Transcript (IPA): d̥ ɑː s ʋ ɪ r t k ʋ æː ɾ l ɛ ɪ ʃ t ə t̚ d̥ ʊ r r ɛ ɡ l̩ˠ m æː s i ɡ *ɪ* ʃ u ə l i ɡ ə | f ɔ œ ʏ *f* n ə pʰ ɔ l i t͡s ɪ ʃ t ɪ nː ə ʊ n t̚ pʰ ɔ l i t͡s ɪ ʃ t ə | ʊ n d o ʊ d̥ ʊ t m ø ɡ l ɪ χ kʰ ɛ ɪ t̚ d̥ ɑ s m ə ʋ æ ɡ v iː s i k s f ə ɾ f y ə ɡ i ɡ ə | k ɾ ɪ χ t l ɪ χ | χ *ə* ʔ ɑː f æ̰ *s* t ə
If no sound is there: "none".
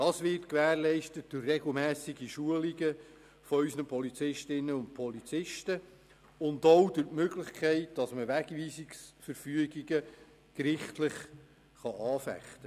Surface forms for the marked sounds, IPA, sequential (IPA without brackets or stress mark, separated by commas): i, s, ɑ, χ